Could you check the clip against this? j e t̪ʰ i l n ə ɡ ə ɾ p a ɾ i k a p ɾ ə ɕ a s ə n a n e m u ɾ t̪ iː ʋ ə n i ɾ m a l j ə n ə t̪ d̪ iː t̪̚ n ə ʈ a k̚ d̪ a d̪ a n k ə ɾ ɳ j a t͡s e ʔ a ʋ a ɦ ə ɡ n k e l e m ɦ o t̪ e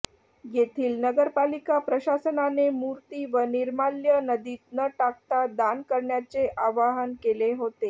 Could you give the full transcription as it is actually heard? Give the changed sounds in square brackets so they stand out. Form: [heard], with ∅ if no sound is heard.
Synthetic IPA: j e t̪ʰ [iː] l n ə ɡ ə ɾ p a [l] i k a p ɾ ə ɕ a s ə n a n e m u ɾ t̪ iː ʋ ə n i ɾ m a l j ə n ə [∅] d̪ iː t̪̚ n ə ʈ a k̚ [t̪] a d̪ a n k ə ɾ ɳ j a t͡s e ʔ a ʋ a ɦ ə [∅] n k e l e [∅] ɦ o t̪ e